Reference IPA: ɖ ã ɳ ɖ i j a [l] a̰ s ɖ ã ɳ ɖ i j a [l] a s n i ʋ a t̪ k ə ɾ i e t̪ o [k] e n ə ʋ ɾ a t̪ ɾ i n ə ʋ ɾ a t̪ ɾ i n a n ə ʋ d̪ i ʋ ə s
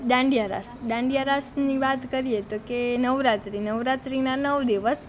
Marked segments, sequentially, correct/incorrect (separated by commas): incorrect, incorrect, correct